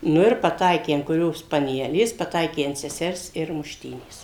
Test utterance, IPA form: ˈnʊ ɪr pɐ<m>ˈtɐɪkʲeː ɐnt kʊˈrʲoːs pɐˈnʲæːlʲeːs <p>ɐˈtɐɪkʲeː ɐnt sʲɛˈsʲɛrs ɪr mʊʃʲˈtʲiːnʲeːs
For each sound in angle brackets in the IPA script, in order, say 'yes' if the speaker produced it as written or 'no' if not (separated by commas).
no, yes